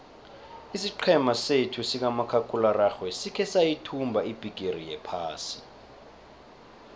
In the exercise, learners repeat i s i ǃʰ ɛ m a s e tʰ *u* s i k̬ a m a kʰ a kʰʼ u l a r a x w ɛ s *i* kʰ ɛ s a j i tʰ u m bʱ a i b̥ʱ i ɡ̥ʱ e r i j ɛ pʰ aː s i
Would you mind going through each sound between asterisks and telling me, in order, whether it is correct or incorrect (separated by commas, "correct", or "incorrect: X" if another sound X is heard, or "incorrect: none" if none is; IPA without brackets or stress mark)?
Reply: correct, correct